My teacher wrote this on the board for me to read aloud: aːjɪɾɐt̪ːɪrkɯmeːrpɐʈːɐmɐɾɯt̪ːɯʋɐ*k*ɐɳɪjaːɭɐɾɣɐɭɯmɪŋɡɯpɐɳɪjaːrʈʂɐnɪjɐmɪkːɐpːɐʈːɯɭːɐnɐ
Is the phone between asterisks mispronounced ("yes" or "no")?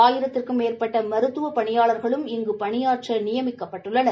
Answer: yes